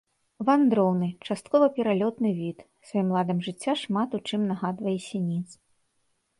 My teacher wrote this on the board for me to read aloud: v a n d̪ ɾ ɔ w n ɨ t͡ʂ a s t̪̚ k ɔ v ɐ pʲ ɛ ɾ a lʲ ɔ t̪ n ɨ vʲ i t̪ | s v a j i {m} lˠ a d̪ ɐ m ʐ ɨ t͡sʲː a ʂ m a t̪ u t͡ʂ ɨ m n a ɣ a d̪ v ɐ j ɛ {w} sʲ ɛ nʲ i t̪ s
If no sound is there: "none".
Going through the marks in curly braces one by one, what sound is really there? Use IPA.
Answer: m, none

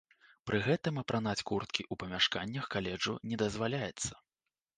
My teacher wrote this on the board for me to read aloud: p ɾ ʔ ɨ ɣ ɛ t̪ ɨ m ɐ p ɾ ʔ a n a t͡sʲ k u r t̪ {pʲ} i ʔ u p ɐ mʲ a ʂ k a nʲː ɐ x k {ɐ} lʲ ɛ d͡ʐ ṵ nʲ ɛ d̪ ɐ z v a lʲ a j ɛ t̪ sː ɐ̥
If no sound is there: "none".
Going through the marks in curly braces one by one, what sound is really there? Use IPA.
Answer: kʲ, a

